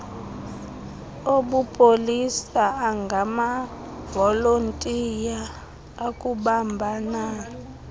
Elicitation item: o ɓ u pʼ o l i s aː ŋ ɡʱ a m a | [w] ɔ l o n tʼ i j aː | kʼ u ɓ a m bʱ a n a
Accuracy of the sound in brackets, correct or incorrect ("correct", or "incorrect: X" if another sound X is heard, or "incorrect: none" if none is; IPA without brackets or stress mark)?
incorrect: v